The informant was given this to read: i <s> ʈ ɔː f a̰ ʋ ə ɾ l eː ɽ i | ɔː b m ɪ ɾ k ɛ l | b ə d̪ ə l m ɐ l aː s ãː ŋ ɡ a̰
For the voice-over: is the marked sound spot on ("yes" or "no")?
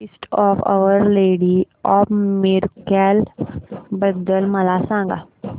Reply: yes